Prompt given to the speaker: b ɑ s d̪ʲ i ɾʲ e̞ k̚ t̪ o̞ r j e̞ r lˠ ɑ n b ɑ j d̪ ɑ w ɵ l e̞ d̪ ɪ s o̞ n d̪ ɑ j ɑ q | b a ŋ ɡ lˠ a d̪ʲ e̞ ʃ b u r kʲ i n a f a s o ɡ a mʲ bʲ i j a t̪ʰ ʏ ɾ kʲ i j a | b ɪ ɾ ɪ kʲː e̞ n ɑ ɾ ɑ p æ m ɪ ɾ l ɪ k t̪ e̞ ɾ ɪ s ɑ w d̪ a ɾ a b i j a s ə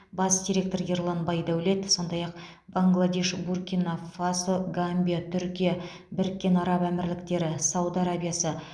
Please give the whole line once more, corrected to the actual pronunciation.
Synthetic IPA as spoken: b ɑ s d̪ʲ i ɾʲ e̞ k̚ t̪ o̞ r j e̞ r lˠ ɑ n b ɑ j d̪ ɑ w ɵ l e̞ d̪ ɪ s o̞ n d̪ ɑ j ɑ q | b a ŋ ɡ lˠ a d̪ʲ e̞ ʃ b u r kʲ i n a f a s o ɡ a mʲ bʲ i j a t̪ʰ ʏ ɾ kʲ i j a | b ɪ ɾ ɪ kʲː e̞ n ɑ ɾ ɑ p æ m ɪ ɾ l ɪ k t̪ e̞ ɾ ɪ s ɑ w d̪ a ɾ a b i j a s ə